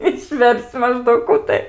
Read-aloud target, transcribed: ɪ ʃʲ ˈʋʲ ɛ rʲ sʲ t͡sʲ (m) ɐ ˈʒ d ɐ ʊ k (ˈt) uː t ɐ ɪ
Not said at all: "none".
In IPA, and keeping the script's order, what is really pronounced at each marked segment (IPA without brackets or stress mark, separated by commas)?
m, k